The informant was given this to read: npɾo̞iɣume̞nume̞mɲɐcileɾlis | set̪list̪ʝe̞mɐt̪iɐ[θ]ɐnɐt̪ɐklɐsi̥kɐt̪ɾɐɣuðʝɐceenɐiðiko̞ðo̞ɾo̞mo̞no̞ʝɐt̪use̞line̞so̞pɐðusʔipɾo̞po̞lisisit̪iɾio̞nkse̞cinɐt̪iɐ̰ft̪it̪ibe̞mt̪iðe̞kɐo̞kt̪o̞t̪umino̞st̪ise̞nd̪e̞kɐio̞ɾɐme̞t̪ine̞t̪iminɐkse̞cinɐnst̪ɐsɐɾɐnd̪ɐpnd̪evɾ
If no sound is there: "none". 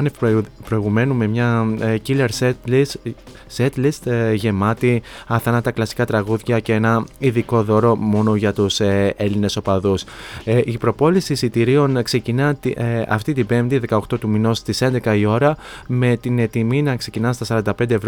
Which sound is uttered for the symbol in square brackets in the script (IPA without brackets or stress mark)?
θ